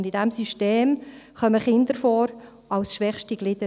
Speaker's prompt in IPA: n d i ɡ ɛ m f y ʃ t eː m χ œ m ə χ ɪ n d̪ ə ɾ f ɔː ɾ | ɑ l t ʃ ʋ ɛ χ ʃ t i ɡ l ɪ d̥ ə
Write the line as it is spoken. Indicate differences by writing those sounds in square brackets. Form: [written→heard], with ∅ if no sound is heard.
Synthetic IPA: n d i [ɡ→d] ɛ m [f→s] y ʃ t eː m χ œ m ə χ ɪ n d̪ ə ɾ f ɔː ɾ | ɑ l [t→s] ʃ ʋ ɛ χ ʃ t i ɡ l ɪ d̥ ə